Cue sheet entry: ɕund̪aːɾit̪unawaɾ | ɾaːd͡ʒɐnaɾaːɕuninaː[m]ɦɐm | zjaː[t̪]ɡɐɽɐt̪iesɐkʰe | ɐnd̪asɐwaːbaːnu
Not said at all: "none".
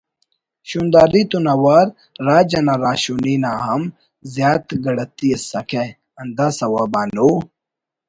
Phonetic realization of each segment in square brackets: none, t̪

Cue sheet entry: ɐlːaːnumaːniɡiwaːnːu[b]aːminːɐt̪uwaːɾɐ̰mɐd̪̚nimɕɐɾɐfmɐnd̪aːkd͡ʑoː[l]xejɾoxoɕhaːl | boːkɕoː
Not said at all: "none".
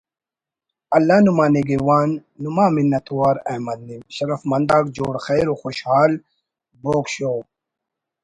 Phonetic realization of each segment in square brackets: m, ɽ

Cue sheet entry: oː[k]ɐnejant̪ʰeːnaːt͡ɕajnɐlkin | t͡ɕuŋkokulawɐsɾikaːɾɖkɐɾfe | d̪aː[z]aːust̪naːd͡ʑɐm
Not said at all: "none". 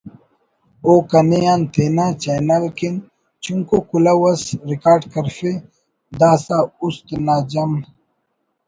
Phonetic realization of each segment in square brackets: k, s

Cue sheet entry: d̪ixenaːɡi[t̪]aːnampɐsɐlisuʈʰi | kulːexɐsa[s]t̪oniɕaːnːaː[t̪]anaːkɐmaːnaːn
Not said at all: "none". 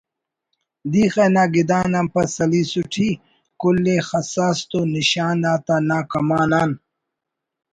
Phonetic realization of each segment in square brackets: d̪, s, t̪

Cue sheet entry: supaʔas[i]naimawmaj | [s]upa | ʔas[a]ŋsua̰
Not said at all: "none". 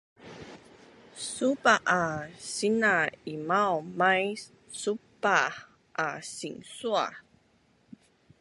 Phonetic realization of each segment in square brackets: i, s, i

